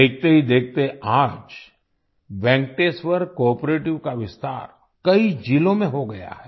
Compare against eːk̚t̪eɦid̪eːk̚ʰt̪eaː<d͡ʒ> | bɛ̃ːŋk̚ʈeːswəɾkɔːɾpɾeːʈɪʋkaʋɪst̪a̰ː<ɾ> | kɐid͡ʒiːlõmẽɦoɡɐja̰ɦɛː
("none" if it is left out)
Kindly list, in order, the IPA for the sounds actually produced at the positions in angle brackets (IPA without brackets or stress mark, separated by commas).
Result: d͡ʒ, ɾ